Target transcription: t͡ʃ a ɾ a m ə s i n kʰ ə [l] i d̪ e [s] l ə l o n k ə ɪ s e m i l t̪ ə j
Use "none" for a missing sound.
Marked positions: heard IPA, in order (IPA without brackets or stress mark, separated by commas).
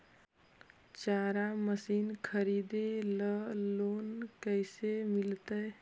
ɾ, none